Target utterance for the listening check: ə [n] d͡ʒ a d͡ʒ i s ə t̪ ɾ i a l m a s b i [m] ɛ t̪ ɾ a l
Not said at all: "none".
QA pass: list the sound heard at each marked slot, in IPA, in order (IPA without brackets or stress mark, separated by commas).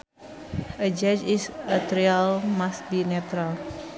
none, n